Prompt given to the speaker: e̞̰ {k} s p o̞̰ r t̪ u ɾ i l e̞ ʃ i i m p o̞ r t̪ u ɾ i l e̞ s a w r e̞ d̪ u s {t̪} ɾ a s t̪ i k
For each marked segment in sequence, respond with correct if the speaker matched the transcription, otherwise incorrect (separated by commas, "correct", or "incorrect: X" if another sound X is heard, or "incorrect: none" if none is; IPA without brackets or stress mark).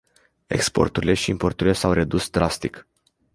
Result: correct, incorrect: d̪